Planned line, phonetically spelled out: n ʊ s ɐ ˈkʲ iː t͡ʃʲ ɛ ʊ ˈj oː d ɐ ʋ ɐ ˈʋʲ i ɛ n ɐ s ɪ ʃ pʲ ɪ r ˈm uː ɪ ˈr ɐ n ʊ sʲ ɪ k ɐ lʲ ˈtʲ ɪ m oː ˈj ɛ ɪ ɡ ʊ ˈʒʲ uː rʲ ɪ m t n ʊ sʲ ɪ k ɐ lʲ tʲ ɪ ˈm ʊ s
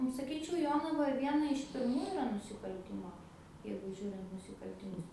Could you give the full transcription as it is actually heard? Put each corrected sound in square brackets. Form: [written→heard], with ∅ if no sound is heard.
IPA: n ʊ s ɐ ˈkʲ iː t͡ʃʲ ɛ ʊ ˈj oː [d→n] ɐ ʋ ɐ ˈʋʲ i ɛ n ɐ [s→∅] ɪ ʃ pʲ ɪ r ˈm uː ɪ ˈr ɐ n ʊ sʲ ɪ k ɐ lʲ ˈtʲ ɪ m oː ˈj ɛ ɪ ɡ ʊ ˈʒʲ uː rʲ ɪ [m→n] t n ʊ sʲ ɪ k ɐ lʲ tʲ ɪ ˈm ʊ s